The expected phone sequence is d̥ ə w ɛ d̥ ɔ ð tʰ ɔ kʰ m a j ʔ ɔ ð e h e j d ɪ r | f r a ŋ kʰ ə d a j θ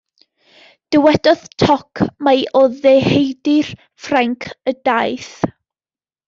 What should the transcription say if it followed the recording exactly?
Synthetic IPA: d̥ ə w ɛ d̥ ɔ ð tʰ ɔ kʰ m a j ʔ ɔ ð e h e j d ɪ r | f r a ŋ kʰ ə d a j θ